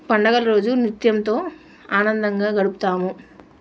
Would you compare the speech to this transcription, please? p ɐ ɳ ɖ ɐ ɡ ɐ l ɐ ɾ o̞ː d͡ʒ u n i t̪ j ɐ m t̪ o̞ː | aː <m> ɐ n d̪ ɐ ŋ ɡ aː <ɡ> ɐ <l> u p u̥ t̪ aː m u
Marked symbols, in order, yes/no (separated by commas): no, yes, no